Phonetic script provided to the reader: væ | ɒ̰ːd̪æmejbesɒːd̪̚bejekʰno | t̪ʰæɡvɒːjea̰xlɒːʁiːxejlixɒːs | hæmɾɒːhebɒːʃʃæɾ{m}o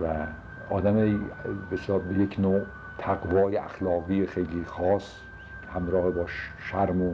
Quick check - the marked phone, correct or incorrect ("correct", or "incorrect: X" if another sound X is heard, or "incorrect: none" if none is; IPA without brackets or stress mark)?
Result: correct